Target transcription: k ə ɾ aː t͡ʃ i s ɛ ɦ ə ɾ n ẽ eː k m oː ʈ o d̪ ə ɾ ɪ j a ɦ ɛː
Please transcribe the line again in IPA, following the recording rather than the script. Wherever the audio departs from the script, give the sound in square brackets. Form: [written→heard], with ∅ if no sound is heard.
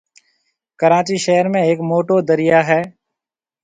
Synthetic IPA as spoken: k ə ɾ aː t͡ʃ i [s→ʃ] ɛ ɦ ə ɾ [n→m] ẽ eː k m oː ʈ o d̪ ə ɾ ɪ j a ɦ ɛː